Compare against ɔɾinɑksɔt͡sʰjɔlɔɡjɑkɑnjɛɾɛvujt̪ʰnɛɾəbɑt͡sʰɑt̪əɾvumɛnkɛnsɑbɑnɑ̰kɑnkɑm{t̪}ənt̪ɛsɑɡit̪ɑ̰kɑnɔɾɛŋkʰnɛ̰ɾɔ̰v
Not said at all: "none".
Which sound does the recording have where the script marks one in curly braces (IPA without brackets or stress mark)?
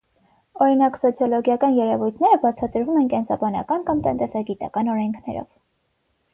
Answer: t̪